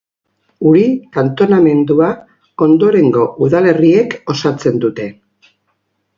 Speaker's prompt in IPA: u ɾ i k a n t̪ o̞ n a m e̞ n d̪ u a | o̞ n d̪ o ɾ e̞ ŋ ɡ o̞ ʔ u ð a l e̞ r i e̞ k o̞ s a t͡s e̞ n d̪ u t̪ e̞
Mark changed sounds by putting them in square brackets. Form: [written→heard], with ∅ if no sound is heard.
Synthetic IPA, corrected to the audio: u ɾ i k a n t̪ o̞ n a m e̞ n d̪ u a | o̞ n d̪ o ɾ e̞ ŋ ɡ o̞ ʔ u ð a l e̞ r i e̞ k o̞ s a t͡s e̞ n d̪ u t̪ e̞

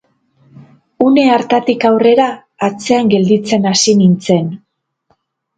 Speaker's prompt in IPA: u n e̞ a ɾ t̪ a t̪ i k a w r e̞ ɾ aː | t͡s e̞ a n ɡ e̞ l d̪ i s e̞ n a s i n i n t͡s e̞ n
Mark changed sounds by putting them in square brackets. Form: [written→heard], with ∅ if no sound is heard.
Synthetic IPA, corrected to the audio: u n e̞ a ɾ t̪ a t̪ i k a w r e̞ ɾ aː | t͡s e̞ a [n→ŋ] ɡ e̞ l d̪ i [s→t͡s] e̞ n a s i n i n t͡s e̞ n

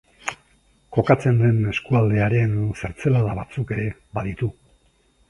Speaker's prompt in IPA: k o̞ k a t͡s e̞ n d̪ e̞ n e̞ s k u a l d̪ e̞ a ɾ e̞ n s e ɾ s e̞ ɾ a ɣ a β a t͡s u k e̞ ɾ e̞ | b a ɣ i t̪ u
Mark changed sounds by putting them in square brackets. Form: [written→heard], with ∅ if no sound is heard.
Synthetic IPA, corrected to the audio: k o̞ k a t͡s e̞ n d̪ e̞ n e̞ s k u a l d̪ e̞ a ɾ e̞ n s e ɾ [s→t͡s] e̞ [ɾ→l] a [ɣ→ð] a β a t͡s u k e̞ ɾ e̞ | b a [ɣ→ð] i t̪ u

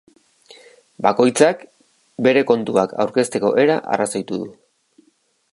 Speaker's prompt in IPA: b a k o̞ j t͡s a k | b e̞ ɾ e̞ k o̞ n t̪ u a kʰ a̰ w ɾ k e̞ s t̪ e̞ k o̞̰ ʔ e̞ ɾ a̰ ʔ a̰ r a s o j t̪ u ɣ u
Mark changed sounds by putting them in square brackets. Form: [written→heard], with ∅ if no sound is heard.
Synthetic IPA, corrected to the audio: b a k o̞ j t͡s a k | b e̞ ɾ e̞ k o̞ n t̪ u a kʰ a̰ w ɾ k e̞ s t̪ e̞ k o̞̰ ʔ e̞ ɾ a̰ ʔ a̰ r a s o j t̪ u [ɣ→ð] u

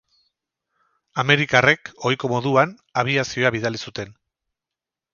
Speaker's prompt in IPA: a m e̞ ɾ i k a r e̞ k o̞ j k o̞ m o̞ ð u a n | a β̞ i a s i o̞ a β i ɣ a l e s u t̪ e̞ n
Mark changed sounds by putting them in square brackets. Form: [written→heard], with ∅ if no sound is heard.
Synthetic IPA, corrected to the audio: a m e̞ ɾ i k a r e̞ k o̞ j k o̞ m o̞ ð u a n | a β̞ i a s i o̞ a β i [ɣ→ð] a l [e→i] s u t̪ e̞ n

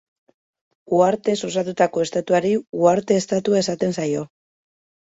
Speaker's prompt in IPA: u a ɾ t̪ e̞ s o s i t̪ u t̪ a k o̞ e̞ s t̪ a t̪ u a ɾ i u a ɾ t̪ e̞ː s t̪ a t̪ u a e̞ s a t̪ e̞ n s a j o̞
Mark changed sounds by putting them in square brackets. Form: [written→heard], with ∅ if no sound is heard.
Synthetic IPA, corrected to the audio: u a ɾ t̪ e̞ s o s [i→a] t̪ u t̪ a k o̞ e̞ s t̪ a t̪ u a ɾ i u a ɾ t̪ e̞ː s t̪ a t̪ u a e̞ s a t̪ e̞ n s a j o̞

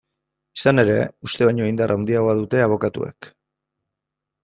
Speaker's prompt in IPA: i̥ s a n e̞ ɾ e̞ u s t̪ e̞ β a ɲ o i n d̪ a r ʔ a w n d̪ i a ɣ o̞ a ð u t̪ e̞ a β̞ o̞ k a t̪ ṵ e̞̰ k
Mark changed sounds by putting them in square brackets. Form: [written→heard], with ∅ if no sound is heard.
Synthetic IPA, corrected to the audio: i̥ s a n e̞ ɾ e̞ u s t̪ e̞ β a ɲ o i n d̪ a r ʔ a w n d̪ i a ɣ o̞ a ð u t̪ e̞ a β̞ o̞ k a t̪ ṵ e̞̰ k

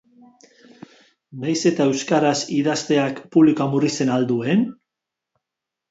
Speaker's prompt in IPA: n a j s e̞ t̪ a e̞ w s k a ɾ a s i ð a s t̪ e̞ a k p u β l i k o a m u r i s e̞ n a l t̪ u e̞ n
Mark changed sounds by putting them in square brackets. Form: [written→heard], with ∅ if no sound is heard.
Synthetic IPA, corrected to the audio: n a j s e̞ t̪ a e̞ w s k a ɾ a s i ð a s t̪ e̞ a k p u β l i k o a m u r i s e̞ n a l [t̪→d̪] u e̞ n

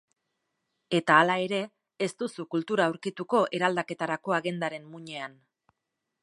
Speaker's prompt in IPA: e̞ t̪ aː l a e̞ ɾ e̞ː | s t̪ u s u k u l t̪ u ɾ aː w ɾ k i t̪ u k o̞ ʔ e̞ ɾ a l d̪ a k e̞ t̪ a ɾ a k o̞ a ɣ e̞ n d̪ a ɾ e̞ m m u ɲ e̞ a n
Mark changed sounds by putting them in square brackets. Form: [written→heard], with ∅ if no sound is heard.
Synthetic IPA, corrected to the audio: e̞ t̪ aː l a e̞ ɾ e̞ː | s t̪ u s u k u l t̪ u ɾ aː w ɾ k i t̪ u k o̞ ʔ e̞ ɾ a l d̪ a k e̞ t̪ a ɾ a k o̞ a ɣ e̞ n d̪ a ɾ e̞ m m u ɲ e̞ a n

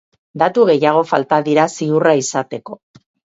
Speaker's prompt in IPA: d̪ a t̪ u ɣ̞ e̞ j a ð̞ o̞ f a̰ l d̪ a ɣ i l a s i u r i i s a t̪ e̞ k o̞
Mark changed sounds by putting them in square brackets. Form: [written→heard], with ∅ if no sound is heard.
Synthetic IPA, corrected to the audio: d̪ a t̪ u ɣ̞ e̞ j a [ð̞→ɣ̞] o̞ f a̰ l [d̪→t̪] a [ɣ→ð] i [l→ɾ] a s i u r [i→a] i s a t̪ e̞ k o̞

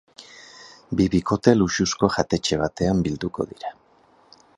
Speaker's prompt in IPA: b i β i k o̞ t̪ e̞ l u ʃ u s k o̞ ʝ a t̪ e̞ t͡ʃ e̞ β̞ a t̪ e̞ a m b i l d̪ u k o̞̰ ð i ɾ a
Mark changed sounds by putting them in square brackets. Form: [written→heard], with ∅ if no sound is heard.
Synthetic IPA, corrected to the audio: b i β i k o̞ t̪ e̞ l u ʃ u s k o̞ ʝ a t̪ e̞ t͡ʃ e̞ β̞ a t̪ e̞ a m b i l d̪ u k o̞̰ ð i ɾ a

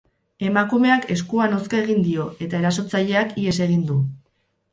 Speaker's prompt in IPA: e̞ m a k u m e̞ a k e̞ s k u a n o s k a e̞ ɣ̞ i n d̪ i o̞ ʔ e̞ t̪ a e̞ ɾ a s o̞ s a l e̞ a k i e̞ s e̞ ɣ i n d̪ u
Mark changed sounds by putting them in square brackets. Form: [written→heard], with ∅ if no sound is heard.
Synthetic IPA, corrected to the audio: e̞ m a k u m e̞ a k e̞ s k u a n o s k a e̞ ɣ̞ i n d̪ i o̞ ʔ e̞ t̪ a e̞ ɾ a s o̞ [s→t͡s] a [l→ʎ] e̞ a k i e̞ s e̞ ɣ i n d̪ u

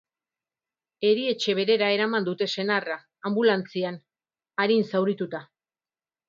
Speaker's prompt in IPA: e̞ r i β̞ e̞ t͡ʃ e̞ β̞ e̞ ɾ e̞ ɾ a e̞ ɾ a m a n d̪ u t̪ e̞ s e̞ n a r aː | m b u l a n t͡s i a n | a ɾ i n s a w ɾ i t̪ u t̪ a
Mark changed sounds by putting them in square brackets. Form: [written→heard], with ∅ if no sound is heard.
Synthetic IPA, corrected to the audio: e̞ [r→ɾ] i [β̞→∅] e̞ t͡ʃ e̞ β̞ e̞ ɾ e̞ ɾ a e̞ ɾ a m a n d̪ u t̪ e̞ s e̞ n a r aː | m b u l a n t͡s i a n | a ɾ i n s a w ɾ i t̪ u t̪ a

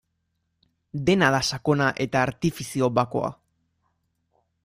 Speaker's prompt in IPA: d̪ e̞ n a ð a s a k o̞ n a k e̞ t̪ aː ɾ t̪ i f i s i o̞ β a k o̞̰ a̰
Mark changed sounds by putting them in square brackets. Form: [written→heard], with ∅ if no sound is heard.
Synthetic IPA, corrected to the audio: d̪ e̞ n a ð a s a k o̞ n a [k→ʔ] e̞ t̪ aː ɾ t̪ i f i s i o̞ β a k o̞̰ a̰

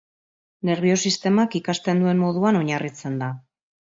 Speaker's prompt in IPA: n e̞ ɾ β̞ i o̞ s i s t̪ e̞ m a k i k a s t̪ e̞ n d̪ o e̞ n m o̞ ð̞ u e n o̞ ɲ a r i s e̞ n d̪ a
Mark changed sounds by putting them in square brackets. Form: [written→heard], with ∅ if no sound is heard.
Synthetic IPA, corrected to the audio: n e̞ ɾ β̞ i o̞ s i s t̪ e̞ m a k i k a s t̪ e̞ n d̪ [o→u] e̞ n m o̞ ð̞ u [e→a] n o̞ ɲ a r i [s→t͡s] e̞ n d̪ a

